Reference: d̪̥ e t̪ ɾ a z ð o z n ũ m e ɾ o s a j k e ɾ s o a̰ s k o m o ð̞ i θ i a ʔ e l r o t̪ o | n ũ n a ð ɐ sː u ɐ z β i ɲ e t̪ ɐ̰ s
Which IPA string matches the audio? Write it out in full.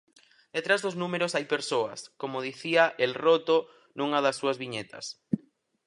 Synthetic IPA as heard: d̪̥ e t̪ ɾ a z ð o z n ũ m e ɾ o s a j p e ɾ s o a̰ s k o m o ð̞ i θ i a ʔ e l r o t̪ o | n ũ ŋ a ð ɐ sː u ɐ z β i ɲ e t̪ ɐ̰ s